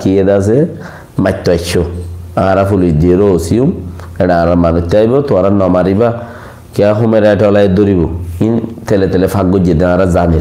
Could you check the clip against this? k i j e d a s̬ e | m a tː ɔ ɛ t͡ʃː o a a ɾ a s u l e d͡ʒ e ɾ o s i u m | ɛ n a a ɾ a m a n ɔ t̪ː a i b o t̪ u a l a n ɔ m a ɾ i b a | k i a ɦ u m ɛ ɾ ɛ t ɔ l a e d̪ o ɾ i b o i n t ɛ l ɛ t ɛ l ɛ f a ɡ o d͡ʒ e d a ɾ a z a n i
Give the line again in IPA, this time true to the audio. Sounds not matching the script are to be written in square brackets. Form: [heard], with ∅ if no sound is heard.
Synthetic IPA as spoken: k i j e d a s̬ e | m a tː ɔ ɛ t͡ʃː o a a ɾ a [f] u l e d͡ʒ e ɾ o s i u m | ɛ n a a ɾ a m a n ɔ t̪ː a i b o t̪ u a [ɾ] a n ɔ m a ɾ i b a | k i a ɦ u m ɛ ɾ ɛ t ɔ l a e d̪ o ɾ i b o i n t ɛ l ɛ t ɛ l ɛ f a ɡ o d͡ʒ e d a ɾ a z a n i